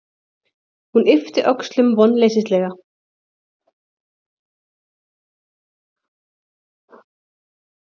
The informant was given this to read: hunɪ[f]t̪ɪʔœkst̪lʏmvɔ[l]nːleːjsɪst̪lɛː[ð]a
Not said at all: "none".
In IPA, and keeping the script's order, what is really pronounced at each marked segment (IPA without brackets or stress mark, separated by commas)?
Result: f, none, ɣ